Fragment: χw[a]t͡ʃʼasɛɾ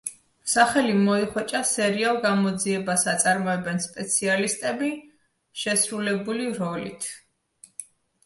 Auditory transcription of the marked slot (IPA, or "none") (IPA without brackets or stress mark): ɛ